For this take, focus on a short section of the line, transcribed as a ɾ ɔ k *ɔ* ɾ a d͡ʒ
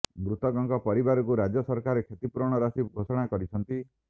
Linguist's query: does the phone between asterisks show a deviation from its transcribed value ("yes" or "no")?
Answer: yes